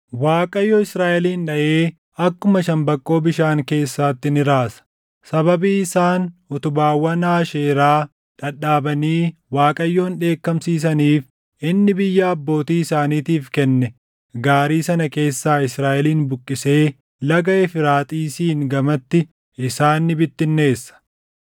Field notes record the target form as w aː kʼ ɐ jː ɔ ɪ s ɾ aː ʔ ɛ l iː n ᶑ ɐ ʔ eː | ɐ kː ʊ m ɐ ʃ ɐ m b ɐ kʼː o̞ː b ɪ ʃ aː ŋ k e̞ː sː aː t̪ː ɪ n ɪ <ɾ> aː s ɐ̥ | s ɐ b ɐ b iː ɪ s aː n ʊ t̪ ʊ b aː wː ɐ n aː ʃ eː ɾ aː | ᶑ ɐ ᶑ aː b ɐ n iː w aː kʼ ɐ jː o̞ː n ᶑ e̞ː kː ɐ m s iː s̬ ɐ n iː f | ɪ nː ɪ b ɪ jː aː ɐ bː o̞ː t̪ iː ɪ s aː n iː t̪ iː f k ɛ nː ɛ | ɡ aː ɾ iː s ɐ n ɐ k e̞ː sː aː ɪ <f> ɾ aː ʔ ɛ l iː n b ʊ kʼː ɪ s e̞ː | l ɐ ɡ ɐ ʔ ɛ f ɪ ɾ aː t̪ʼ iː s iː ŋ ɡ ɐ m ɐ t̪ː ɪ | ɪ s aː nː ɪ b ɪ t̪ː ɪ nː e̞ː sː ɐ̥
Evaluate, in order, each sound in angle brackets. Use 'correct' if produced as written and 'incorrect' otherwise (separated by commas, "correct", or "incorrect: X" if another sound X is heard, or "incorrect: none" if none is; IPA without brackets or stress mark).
correct, incorrect: s